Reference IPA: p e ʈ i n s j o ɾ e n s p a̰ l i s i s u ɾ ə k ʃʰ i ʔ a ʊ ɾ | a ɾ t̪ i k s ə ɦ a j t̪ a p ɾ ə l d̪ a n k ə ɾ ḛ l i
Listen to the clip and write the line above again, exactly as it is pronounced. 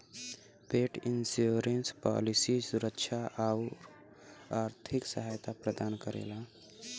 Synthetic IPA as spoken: p e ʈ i n s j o ɾ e n s p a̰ l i s i s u ɾ ə k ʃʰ a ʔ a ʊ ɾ | a ɾ t̪ʰ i k s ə ɦ a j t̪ a p ɾ ə d̪ a n k ə ɾ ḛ l a